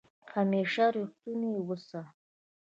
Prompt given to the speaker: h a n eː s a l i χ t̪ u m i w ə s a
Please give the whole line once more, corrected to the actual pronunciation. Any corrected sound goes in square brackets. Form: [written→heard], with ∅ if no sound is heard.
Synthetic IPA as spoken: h a [n→m] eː [s→ʂ] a [l→ɾ] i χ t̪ u [m→n] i w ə s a